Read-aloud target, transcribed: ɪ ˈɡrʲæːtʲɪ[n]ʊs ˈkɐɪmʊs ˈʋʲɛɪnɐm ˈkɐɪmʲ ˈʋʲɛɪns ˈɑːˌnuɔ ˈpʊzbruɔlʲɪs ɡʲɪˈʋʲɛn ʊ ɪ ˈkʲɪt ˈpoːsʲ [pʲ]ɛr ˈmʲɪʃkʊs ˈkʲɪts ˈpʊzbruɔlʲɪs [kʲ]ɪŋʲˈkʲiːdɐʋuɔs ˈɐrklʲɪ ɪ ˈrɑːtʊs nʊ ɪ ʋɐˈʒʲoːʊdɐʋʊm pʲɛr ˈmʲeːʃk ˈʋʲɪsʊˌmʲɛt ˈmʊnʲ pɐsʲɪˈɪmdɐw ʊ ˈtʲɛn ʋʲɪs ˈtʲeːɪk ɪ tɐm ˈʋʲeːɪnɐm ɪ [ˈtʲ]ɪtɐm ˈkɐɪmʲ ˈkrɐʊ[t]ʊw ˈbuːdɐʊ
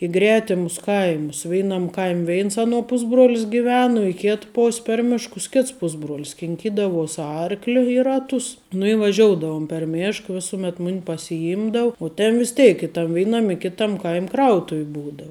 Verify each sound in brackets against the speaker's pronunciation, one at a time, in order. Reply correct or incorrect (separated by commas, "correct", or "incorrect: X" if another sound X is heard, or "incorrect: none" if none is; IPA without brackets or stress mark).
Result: incorrect: m, correct, correct, incorrect: kʲ, correct